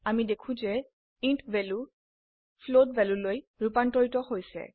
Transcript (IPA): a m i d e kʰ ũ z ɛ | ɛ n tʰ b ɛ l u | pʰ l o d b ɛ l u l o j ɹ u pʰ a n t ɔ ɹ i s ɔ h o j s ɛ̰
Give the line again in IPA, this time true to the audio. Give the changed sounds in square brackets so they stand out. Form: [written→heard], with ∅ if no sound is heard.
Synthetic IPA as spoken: a m i d e kʰ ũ z ɛ | [ɛ→i] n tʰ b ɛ l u | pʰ l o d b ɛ l u l o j ɹ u [pʰ→p] a n t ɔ ɹ i [s→t] ɔ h o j s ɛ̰